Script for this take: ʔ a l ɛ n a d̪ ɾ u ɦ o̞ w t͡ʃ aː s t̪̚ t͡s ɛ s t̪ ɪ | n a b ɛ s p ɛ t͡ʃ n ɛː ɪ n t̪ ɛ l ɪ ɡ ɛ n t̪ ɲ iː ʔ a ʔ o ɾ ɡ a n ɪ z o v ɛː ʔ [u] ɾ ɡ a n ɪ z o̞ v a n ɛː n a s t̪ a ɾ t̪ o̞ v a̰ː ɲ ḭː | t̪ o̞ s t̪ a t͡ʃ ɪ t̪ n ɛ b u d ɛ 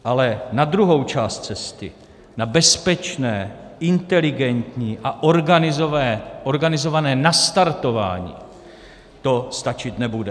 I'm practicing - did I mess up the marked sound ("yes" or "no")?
yes